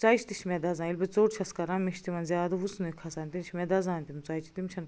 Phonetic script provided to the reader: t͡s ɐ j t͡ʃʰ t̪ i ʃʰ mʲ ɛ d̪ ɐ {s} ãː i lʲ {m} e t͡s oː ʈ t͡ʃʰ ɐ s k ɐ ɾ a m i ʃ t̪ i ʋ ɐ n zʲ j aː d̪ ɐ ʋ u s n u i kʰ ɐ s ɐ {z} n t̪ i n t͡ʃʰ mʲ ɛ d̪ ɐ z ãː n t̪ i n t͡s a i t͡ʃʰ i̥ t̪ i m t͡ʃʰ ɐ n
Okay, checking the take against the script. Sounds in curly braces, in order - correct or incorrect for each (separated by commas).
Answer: incorrect, incorrect, incorrect